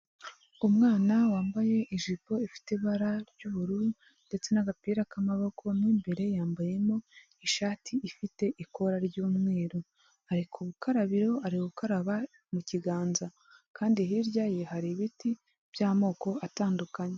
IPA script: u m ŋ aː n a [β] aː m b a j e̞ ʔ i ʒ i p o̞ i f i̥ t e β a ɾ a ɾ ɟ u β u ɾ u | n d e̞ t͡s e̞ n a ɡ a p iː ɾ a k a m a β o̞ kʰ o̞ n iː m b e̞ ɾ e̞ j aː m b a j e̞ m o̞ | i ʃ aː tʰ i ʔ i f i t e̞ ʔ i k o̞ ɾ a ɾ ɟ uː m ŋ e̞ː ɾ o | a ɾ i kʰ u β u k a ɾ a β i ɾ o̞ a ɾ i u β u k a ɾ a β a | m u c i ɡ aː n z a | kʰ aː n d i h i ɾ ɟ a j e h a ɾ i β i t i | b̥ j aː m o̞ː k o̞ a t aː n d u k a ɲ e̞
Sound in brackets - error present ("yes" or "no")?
yes